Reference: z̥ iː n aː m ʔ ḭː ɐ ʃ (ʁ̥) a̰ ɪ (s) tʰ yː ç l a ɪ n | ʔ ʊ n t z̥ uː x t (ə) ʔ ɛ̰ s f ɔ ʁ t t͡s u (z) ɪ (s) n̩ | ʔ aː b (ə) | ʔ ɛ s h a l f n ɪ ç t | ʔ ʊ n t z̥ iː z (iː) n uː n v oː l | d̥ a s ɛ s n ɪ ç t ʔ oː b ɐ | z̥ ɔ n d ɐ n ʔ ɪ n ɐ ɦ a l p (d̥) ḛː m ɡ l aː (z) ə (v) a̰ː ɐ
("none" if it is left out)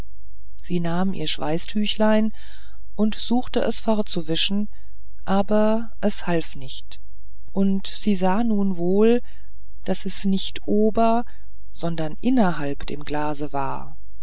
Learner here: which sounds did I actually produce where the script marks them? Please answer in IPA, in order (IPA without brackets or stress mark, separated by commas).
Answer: v̥, s, ə, v, ʃ, ɐ, aː, d̥, z, v